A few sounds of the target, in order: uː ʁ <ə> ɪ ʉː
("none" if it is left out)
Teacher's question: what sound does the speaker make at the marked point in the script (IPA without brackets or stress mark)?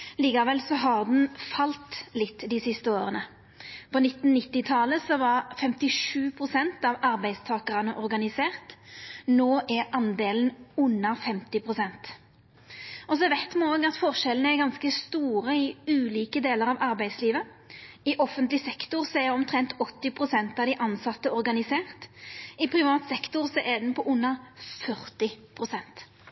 ə